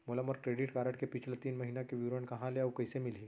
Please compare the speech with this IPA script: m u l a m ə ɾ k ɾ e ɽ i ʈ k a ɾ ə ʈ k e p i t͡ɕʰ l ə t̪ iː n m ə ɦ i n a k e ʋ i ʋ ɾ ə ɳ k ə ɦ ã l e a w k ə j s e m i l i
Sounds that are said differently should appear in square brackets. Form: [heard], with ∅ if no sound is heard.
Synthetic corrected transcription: m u l a m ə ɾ k ɾ e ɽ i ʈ k a ɾ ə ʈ k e p i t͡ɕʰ l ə t̪ iː n m ə ɦ i n a k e ʋ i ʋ ɾ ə ɳ k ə ɦ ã l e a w k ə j s e m i l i